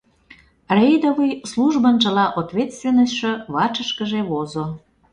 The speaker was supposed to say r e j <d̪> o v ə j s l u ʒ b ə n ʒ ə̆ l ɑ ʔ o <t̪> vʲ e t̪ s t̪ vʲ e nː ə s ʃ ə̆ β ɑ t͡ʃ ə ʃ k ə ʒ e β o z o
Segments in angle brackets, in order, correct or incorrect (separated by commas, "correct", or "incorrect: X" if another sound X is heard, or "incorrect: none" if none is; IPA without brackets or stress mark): correct, correct